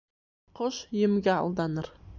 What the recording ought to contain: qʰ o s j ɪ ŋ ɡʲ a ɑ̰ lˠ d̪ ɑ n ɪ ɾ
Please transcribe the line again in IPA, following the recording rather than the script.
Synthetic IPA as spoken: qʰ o ʃ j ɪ m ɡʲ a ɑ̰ lˠ d̪ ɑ n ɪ ɾ